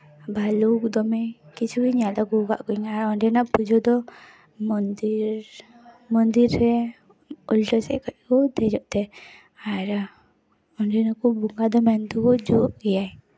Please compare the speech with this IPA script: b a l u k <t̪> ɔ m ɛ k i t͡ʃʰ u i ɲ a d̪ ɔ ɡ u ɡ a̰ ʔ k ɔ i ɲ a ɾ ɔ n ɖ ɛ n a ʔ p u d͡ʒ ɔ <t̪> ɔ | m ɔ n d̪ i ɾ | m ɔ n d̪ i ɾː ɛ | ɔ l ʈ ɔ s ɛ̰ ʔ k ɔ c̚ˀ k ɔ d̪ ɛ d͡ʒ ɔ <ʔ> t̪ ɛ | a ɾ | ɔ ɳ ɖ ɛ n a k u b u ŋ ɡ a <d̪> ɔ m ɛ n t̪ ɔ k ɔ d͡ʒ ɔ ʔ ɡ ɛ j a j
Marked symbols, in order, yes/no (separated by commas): no, no, yes, yes